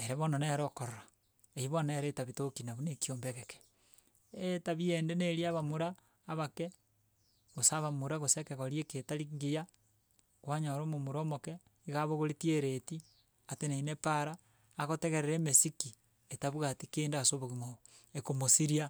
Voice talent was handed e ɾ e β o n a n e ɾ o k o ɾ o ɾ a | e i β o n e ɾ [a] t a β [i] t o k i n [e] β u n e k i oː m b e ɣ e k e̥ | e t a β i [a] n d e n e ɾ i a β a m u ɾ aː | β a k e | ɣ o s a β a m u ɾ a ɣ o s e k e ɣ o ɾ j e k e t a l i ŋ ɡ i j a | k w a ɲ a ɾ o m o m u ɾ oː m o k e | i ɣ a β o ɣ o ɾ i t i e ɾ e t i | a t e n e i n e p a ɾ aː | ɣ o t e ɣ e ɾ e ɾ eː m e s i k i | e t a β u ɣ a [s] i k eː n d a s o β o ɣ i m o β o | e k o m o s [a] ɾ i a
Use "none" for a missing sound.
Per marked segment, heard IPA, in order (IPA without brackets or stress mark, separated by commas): e, i, a, e, t, i